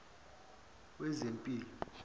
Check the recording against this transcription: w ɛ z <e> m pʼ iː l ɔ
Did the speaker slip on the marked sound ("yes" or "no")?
no